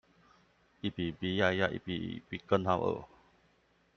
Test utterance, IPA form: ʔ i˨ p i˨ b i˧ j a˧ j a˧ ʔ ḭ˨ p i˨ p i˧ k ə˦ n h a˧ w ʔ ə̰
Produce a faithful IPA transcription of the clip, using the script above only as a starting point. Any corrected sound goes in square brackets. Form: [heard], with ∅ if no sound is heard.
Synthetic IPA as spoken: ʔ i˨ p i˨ b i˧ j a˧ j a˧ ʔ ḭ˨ p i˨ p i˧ k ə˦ n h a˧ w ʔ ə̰